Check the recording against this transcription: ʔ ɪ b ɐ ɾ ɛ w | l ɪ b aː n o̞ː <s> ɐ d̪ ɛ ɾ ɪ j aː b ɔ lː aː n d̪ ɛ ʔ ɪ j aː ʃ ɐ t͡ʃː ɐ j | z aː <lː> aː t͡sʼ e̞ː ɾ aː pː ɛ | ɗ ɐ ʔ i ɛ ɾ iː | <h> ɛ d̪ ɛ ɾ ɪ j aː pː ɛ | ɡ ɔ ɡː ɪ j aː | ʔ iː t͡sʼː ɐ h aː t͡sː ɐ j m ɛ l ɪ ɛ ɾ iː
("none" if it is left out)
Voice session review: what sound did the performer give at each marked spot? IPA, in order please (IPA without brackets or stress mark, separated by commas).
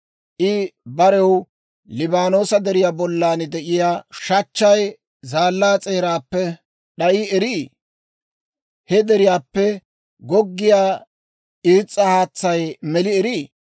s, lː, h